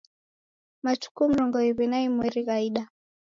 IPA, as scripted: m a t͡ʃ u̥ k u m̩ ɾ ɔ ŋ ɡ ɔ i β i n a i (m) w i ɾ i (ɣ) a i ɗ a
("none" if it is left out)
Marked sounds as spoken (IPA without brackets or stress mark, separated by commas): m, ɣ